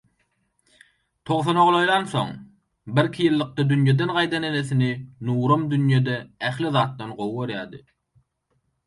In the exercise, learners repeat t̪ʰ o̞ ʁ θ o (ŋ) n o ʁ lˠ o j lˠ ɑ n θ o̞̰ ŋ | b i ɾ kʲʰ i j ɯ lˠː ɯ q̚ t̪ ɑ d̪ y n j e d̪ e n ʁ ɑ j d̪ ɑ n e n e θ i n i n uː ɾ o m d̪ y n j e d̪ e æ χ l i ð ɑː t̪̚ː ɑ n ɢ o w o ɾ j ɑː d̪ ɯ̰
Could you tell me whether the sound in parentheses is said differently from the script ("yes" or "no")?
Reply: yes